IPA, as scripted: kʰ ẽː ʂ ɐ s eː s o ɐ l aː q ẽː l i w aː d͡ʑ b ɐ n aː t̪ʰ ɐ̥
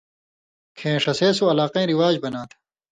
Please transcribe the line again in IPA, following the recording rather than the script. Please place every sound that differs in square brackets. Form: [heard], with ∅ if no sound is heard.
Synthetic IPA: kʰ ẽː ʂ ɐ s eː s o ɐ l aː q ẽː [ɾ] i w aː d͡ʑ b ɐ n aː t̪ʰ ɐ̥

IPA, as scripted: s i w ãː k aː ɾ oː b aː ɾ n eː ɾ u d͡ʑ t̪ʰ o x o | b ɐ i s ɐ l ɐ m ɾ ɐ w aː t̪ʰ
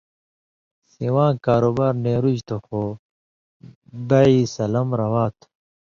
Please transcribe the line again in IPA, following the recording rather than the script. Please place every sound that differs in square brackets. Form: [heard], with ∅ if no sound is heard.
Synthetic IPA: s i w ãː k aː ɾ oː b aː ɾ n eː ɾ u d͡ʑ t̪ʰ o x o | b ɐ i s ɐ l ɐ m ɾ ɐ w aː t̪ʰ

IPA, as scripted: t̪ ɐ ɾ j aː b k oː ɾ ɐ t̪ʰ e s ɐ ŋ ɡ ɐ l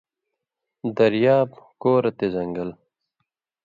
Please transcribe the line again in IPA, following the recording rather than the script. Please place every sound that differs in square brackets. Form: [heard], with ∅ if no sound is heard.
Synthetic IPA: [d̪] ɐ ɾ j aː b k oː ɾ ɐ [t̪] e [z] ɐ ŋ ɡ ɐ l

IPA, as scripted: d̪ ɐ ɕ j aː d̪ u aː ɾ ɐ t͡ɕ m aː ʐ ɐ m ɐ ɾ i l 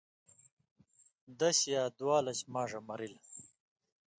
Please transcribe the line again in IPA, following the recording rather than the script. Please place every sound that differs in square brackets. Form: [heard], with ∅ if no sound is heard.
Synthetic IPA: d̪ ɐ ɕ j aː d̪ [w] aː [l] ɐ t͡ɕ m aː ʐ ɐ m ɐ ɾ i l

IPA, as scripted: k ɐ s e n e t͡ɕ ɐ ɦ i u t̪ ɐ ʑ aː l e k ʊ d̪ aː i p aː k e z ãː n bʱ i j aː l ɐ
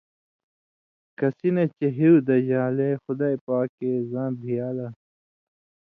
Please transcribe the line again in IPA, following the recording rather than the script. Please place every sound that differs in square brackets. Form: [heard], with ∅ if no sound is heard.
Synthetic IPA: k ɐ s [i] n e t͡ɕ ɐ ɦ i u [d̪] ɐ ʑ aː l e [x] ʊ d̪ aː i p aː k e z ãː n bʱ i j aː l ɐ

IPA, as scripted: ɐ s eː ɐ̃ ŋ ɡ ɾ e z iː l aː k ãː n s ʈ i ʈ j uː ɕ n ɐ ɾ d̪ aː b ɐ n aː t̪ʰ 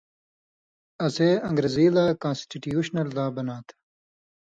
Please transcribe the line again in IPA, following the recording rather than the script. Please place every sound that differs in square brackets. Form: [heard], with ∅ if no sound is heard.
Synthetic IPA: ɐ s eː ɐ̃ ŋ ɡ ɾ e z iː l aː k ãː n s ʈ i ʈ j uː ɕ n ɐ [l] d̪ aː b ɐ n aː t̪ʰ

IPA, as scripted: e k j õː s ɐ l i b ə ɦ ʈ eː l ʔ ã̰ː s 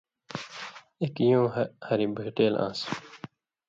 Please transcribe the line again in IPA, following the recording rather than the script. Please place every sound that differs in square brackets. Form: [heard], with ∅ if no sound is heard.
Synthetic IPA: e k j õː [h] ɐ [ɾ] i b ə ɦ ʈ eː l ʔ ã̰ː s

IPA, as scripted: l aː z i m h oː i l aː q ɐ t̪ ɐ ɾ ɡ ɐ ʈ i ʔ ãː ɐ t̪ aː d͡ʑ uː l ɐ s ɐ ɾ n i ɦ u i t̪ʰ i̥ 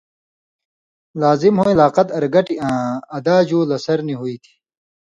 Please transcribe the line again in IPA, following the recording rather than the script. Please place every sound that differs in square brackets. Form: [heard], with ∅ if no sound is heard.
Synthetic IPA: l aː z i m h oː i l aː q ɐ t̪ ɐ ɾ ɡ ɐ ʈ i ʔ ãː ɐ [d̪] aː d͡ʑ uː l ɐ s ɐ ɾ n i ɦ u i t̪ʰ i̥

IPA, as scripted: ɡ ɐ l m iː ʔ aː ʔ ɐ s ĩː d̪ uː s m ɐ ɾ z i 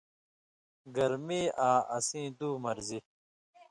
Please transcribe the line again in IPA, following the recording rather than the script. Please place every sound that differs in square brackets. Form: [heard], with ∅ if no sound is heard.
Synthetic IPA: ɡ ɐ [ɾ] m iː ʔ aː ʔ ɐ s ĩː d̪ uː [∅] m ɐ ɾ z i

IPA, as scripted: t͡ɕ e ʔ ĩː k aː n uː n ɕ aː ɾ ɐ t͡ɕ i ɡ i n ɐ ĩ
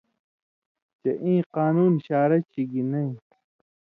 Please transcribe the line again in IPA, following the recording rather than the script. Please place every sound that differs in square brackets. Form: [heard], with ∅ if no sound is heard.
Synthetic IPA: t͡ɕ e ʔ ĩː [q] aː n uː n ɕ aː ɾ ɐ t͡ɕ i ɡ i n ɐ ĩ

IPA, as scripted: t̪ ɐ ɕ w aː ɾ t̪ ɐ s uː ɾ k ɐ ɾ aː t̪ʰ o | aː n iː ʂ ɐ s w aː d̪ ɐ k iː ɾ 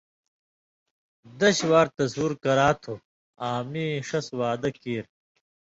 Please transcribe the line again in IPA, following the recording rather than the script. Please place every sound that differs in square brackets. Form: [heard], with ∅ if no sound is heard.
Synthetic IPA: [d̪] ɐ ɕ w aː ɾ t̪ ɐ s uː ɾ k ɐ ɾ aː t̪ʰ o | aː [m] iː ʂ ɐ s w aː d̪ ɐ k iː ɾ

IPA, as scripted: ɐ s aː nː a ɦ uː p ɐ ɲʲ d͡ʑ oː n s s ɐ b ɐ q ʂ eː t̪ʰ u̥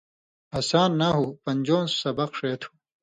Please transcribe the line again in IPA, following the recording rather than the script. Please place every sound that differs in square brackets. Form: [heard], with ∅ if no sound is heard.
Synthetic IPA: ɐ s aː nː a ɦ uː p ɐ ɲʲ d͡ʑ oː n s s ɐ b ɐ q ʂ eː t̪ʰ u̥

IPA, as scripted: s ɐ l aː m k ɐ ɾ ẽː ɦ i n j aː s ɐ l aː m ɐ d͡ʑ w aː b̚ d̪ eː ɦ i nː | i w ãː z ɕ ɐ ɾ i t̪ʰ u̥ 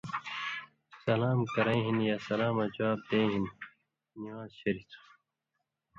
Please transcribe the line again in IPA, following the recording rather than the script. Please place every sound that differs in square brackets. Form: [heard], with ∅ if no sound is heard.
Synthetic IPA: s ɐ l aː m k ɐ ɾ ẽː ɦ i n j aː s ɐ l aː m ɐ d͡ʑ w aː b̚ d̪ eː ɦ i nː | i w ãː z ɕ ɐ ɾ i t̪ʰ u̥

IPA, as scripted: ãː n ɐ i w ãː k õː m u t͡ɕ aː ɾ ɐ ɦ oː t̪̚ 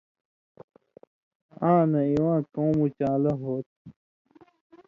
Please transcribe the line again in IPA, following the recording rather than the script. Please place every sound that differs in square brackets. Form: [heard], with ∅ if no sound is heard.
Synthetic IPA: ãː n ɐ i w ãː k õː m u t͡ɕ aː [l] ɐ ɦ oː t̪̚

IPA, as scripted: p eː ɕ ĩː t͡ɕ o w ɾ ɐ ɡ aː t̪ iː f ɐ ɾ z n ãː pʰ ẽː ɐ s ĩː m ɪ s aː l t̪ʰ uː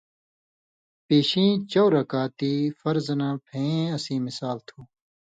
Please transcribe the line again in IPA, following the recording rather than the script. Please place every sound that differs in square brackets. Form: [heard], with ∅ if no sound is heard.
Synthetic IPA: p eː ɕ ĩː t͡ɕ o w ɾ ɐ [k] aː t̪ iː f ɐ ɾ z n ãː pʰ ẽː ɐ s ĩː m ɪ s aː l t̪ʰ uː

